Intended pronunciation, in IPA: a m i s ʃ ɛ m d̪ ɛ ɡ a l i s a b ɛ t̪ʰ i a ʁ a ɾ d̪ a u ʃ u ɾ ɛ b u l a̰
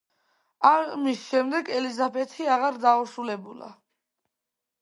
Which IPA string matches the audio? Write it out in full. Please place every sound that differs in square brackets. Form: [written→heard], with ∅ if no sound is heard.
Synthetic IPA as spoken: a m i s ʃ ɛ m d̪ ɛ ɡ [a→ɛ] l i [s→z] a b ɛ t̪ʰ i a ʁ a ɾ d̪ a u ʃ u [ɾ→l] ɛ b u l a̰